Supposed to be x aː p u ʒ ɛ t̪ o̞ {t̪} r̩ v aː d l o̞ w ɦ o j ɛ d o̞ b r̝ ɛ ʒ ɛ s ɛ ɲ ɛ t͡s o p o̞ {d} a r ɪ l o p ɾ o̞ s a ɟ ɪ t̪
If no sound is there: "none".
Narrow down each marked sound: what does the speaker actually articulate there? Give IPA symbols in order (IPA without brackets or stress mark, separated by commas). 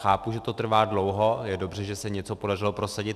t̪, d